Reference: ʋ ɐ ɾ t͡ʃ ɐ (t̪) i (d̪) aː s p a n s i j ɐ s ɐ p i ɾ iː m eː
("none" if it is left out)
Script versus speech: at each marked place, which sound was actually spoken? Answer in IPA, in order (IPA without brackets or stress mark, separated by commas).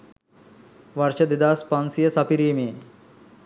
d̪, d̪